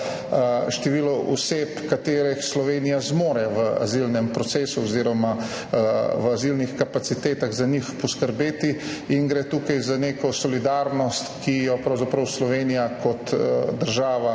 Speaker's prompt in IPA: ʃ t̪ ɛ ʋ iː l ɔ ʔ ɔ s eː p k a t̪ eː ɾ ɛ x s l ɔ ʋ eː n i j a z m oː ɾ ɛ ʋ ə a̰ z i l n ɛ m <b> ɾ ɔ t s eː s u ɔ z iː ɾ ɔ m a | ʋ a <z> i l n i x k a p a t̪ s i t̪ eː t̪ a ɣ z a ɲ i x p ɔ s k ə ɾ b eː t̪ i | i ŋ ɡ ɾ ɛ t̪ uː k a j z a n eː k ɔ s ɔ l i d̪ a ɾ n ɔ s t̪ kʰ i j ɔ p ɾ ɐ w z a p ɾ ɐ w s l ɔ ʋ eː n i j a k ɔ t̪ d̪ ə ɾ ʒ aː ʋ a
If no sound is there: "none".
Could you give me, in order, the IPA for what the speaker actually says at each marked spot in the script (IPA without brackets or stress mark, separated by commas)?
p, z